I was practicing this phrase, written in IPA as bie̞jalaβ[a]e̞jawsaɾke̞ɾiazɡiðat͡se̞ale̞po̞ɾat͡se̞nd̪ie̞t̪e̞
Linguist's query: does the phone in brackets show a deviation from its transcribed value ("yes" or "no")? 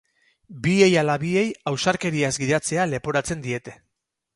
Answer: yes